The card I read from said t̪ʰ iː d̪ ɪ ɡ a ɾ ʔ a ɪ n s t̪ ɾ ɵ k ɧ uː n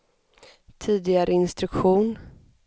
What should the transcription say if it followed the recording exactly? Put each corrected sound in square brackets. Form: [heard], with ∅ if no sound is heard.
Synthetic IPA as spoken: t̪ʰ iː d̪ ɪ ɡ a ɾ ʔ [ə] ɪ n s t̪ ɾ ɵ k ɧ uː n